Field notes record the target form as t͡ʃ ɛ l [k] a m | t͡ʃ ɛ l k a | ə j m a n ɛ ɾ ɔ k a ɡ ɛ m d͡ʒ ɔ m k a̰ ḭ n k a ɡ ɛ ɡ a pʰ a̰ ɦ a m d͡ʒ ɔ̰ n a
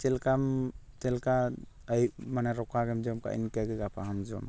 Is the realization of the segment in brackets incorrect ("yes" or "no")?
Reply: no